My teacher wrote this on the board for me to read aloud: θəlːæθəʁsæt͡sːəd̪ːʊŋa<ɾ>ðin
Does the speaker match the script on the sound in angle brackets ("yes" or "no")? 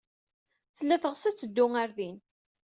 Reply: yes